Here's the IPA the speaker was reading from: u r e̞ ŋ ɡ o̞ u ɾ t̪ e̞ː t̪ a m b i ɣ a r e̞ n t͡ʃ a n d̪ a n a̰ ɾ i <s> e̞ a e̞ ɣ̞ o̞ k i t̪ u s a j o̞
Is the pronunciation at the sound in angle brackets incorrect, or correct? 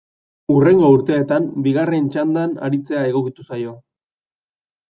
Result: incorrect